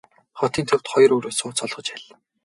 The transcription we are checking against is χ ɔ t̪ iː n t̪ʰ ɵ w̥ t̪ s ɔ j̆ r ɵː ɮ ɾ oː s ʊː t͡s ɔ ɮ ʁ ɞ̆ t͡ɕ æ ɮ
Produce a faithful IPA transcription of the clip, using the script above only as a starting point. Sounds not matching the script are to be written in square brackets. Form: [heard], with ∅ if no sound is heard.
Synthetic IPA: χ ɔ t̪ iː n t̪ʰ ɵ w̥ t̪ [χ] ɔ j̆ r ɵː [∅] ɾ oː s ʊː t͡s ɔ ɮ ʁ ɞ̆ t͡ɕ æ ɮ